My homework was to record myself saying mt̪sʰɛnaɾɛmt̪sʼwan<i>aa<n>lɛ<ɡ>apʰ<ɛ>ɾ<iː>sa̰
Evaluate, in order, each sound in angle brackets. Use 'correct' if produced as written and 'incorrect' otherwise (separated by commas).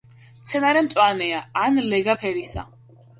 incorrect, correct, correct, correct, incorrect